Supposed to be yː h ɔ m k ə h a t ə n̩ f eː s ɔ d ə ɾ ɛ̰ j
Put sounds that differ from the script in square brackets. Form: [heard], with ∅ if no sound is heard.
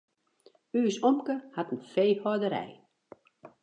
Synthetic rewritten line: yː [s] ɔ m k ə h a t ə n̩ f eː [h] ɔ d ə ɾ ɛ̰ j